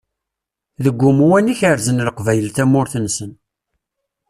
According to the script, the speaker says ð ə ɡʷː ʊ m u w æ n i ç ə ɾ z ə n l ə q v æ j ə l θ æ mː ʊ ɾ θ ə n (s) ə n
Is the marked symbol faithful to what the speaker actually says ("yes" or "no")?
yes